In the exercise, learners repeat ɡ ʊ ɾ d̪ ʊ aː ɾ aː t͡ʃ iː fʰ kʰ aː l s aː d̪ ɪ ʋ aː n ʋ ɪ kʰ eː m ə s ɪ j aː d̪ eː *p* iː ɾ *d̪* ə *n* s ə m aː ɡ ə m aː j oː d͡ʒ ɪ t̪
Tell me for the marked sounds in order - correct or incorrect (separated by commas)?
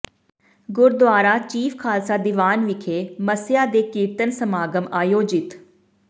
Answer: incorrect, incorrect, correct